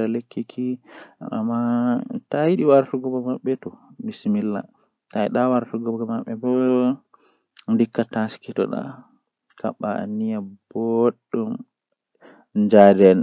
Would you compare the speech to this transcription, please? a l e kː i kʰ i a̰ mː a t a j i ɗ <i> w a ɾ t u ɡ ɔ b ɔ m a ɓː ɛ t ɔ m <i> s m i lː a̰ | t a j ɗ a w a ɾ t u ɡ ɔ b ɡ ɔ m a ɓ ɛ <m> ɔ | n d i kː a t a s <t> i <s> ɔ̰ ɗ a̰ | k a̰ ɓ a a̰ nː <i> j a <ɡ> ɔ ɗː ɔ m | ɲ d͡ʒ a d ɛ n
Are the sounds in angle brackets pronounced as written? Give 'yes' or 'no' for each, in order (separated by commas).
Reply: yes, yes, no, no, no, yes, no